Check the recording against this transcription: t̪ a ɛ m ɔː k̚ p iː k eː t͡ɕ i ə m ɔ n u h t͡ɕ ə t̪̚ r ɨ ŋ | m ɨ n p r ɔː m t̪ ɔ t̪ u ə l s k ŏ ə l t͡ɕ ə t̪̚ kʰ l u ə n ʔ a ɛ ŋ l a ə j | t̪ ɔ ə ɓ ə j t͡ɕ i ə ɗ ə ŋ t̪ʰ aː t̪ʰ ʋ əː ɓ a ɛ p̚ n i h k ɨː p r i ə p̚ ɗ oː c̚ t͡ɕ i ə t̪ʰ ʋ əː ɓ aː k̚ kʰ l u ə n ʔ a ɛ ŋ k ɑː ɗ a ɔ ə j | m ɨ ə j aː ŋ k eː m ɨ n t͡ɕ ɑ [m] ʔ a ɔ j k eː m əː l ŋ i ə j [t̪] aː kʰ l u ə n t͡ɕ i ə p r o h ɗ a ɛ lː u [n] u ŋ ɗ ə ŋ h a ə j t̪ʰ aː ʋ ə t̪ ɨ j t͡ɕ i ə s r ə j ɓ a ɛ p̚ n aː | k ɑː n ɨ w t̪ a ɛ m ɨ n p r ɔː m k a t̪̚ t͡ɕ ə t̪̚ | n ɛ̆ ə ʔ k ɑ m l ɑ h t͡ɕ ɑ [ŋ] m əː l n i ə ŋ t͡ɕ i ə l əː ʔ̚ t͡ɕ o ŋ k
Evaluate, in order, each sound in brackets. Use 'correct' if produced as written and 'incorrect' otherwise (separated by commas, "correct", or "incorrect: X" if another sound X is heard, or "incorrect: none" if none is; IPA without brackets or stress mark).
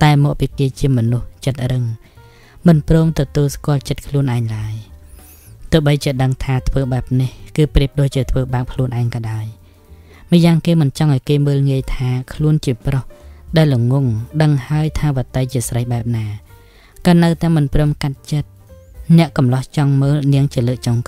incorrect: ŋ, incorrect: t̪ʰ, incorrect: ŋ, correct